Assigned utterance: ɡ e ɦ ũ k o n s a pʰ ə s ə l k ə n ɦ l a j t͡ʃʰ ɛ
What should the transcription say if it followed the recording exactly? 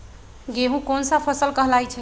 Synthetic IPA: ɡ e ɦ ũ k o n s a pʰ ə s ə l k ə ɦ l a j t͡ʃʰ ɛ